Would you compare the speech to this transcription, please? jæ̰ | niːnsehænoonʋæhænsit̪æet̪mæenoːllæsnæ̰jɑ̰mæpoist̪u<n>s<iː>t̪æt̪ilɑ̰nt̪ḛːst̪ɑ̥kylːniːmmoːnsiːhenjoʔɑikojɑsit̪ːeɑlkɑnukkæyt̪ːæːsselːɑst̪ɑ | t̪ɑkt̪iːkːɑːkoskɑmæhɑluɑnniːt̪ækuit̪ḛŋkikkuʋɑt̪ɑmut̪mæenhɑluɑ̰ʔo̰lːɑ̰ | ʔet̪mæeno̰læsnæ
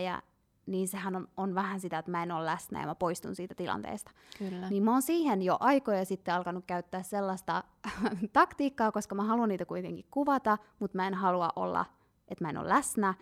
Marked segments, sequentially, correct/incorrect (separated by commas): correct, correct